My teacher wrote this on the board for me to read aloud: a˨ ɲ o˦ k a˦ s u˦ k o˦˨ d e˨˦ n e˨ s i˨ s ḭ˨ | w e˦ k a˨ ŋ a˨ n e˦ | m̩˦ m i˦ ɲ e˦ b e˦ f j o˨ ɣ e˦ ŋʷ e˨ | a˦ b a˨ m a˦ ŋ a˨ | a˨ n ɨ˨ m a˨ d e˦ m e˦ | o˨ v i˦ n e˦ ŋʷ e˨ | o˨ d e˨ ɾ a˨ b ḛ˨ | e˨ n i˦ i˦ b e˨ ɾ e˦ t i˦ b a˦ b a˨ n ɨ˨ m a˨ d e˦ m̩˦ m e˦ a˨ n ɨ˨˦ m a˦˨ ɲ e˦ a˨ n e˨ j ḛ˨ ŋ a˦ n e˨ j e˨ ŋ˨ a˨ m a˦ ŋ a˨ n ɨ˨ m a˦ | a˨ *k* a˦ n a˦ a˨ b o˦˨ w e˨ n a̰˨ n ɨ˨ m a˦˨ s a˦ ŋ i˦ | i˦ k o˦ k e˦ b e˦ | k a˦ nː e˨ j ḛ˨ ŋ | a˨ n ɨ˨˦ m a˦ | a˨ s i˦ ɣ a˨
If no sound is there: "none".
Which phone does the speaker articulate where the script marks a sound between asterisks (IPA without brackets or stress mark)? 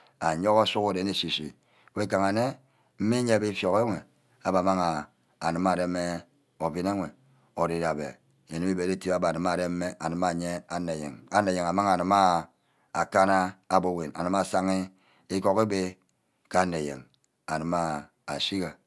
k